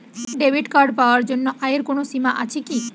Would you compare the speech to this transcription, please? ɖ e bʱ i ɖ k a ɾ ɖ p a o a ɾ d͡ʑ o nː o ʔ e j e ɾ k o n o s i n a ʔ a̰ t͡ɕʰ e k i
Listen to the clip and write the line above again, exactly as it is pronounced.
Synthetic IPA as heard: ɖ e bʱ i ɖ k a ɾ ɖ p a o a ɾ d͡ʑ o nː o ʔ a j e ɾ k o n o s i m a ʔ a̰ t͡ɕʰ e k i